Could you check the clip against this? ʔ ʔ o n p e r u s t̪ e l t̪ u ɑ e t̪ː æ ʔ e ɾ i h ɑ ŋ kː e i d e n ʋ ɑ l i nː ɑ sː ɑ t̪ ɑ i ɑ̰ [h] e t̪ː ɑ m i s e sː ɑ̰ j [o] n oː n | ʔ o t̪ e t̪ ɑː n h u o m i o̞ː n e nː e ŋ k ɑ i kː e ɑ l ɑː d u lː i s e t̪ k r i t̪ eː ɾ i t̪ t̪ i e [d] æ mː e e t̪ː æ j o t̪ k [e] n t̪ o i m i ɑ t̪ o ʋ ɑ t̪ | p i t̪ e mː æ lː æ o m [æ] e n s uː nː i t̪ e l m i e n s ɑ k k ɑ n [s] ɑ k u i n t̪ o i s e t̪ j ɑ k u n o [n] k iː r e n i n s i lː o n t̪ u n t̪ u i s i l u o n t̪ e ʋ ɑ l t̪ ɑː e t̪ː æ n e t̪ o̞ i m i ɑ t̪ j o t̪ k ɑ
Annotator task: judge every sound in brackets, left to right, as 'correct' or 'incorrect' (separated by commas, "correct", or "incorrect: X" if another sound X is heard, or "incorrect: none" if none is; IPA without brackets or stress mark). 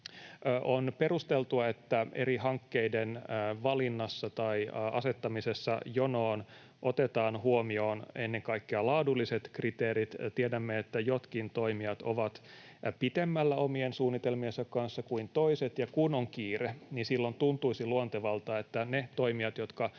incorrect: s, correct, correct, incorrect: i, incorrect: i, incorrect: sː, incorrect: ŋ